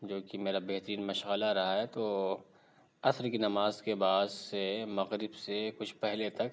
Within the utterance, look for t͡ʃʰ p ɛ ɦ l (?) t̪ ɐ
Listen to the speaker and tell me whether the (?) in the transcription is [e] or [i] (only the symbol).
e